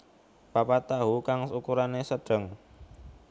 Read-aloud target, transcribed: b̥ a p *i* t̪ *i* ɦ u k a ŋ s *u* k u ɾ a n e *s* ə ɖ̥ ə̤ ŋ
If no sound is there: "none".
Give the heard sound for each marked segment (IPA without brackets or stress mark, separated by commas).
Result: a, a, u, s